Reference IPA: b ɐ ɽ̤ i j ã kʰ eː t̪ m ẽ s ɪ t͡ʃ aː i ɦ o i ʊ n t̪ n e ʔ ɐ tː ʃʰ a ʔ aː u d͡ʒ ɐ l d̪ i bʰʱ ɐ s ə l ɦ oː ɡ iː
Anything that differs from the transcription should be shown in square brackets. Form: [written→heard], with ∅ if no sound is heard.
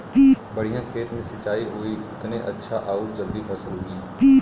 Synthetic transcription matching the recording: b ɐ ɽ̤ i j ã kʰ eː t̪ m ẽ s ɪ t͡ʃ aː i ɦ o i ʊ [n→∅] t̪ n e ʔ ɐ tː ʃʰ a ʔ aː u d͡ʒ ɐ l d̪ i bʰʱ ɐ s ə l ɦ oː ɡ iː

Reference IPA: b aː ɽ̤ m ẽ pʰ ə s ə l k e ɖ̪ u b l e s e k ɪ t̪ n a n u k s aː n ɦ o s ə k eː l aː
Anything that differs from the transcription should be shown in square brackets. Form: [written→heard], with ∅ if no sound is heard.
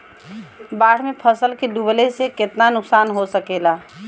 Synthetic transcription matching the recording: b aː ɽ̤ m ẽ pʰ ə s ə l k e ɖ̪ u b l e s e k ɪ t̪ n a n [u→ʊ] k s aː n ɦ o s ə k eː l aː

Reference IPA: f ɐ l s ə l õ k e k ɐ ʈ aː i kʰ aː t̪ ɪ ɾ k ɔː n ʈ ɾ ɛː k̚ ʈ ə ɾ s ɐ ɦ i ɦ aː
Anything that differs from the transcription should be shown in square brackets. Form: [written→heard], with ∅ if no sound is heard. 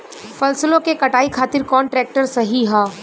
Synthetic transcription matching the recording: f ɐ l s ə l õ k e k ɐ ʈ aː i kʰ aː t̪ ɪ ɾ k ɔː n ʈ ɾ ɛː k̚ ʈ ə ɾ s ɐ ɦ i ɦ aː

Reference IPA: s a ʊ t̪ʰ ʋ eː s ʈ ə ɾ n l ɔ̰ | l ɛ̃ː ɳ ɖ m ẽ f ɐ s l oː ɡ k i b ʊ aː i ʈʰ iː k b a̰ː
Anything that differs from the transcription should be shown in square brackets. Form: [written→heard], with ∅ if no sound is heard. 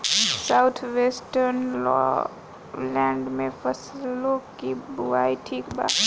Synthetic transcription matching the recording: s a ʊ t̪ʰ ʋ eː s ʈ ə ɾ n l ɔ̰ | l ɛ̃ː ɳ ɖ m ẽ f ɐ s l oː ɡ k i b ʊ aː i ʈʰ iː k b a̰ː

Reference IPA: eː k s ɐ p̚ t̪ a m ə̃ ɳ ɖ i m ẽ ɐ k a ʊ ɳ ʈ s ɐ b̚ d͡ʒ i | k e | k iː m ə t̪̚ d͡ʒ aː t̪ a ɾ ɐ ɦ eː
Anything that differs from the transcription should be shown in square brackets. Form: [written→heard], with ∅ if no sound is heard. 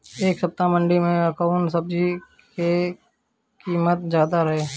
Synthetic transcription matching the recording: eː k s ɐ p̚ t̪ a m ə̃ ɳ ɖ i m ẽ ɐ k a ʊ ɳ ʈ s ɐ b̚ d͡ʒ i | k e | k iː m ə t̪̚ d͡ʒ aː [t̪→d̪] a ɾ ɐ ɦ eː

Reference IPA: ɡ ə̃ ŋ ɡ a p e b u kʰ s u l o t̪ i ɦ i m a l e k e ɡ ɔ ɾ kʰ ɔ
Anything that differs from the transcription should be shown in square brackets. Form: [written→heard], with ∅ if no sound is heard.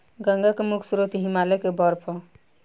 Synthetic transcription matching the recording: ɡ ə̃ ŋ ɡ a [p→k] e [b→m] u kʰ s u [l→ɾ] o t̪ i ɦ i m a l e k e [ɡ→b] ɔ ɾ [kʰ→pʰ] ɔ

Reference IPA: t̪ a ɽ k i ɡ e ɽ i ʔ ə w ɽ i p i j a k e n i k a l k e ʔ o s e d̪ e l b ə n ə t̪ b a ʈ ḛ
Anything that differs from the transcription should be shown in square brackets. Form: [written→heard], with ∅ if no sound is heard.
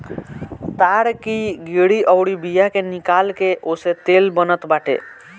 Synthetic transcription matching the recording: t̪ a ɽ k i ɡ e ɽ i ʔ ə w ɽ i [p→b] i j a k e n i k a l k e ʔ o s e [d̪→t̪] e l b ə n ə t̪ b a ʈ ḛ

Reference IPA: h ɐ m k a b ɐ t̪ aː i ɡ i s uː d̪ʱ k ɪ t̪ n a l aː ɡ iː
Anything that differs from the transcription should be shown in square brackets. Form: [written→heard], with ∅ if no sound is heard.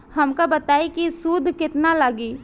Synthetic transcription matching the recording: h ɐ m k a b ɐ t̪ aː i [ɡ→k] i s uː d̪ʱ k ɪ t̪ n a l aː ɡ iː

